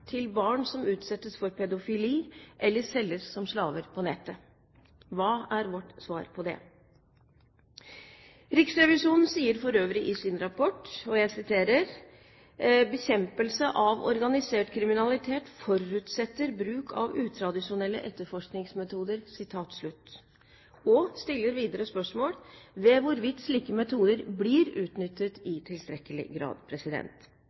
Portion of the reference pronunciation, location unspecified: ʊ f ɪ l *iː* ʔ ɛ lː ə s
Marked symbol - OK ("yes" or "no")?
yes